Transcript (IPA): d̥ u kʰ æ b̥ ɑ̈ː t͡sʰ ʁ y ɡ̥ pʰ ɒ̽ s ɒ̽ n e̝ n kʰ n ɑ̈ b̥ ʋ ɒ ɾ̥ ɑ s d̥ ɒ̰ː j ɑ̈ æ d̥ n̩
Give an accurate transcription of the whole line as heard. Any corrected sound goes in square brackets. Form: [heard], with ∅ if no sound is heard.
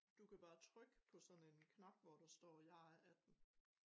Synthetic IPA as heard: d̥ u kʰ æ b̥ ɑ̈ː t͡sʰ ʁ [œ] ɡ̥ pʰ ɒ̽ s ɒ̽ n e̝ n kʰ n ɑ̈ b̥ ʋ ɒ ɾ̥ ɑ s d̥ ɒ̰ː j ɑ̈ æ d̥ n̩